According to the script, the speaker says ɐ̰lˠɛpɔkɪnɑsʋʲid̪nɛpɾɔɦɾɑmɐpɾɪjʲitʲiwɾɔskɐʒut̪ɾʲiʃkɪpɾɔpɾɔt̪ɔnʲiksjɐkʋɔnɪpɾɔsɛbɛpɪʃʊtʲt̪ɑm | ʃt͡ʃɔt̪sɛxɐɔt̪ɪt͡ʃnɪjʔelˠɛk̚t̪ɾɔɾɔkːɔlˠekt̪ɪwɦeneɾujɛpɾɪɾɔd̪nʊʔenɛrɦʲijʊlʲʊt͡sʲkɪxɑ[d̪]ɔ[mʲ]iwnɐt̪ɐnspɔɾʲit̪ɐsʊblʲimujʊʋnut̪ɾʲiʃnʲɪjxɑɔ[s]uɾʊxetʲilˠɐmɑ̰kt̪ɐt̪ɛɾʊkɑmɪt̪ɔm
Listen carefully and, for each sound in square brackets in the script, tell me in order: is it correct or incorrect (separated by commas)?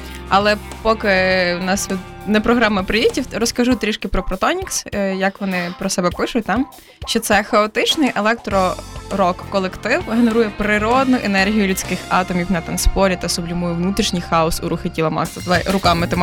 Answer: incorrect, correct, correct